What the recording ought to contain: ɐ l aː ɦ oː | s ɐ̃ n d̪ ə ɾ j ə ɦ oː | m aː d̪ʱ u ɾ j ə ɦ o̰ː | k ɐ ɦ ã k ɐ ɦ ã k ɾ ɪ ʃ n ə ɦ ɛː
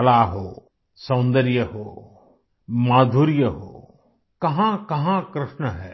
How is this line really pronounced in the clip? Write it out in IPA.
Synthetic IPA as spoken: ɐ l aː ɦ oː | s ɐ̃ n d̪ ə ɾ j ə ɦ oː | m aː d̪ʱ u ɾ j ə ɦ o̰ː | k ɐ ɦ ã k ɐ ɦ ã k ɾ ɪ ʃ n ə ɦ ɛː